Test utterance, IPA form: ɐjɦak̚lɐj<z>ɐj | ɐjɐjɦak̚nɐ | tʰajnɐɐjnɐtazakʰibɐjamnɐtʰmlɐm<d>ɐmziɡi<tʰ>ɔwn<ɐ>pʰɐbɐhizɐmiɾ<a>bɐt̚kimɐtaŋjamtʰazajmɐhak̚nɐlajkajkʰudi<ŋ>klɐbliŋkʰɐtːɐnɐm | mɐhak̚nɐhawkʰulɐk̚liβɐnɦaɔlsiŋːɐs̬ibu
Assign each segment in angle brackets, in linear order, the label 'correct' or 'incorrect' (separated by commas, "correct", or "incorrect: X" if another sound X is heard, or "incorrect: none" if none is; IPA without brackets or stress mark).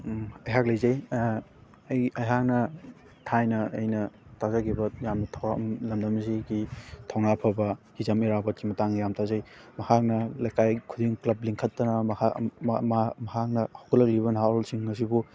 correct, correct, correct, incorrect: a, correct, correct